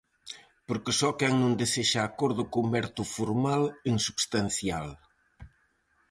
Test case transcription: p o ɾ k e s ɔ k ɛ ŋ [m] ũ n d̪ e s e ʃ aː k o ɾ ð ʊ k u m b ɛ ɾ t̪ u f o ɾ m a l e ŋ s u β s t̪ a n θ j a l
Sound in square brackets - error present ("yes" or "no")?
yes